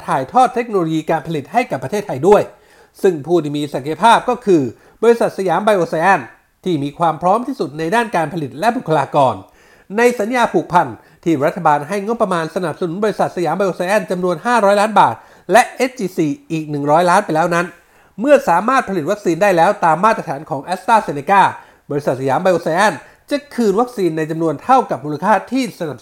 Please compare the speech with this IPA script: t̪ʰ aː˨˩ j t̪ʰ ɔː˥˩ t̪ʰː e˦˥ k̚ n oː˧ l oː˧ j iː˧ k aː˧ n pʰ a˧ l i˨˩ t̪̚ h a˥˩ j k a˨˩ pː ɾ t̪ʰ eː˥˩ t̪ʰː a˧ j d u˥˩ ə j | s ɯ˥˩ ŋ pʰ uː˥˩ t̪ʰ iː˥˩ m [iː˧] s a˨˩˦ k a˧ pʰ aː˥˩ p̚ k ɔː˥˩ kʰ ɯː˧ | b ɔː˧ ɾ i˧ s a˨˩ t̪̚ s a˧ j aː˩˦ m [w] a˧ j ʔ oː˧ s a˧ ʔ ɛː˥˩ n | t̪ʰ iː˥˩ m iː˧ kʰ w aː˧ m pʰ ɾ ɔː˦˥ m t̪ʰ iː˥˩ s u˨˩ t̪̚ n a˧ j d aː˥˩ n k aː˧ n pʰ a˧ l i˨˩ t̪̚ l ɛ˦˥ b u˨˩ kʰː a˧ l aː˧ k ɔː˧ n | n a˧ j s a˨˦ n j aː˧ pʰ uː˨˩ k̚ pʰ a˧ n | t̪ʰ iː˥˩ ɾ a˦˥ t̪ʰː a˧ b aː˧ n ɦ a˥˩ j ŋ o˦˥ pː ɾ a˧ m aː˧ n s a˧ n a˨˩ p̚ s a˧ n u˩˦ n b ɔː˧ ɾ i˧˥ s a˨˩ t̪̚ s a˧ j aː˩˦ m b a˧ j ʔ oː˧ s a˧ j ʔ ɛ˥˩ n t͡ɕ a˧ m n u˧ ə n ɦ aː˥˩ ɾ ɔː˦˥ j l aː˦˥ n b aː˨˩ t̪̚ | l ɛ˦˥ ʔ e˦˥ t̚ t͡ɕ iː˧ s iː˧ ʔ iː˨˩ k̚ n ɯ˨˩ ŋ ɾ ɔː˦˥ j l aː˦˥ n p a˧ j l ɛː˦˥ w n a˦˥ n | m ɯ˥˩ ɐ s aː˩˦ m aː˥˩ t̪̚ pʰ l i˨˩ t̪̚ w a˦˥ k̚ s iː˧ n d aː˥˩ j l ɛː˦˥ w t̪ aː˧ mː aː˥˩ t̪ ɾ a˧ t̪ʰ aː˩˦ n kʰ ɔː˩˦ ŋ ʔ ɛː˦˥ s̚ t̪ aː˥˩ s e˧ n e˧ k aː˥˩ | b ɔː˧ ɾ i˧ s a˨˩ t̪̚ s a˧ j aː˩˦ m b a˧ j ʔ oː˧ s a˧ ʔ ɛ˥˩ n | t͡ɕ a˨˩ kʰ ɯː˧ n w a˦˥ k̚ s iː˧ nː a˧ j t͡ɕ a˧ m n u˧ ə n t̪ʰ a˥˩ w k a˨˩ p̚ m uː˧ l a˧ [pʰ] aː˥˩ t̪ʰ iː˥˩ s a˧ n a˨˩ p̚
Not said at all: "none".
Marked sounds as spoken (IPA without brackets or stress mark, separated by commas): iː˧, b, kʰ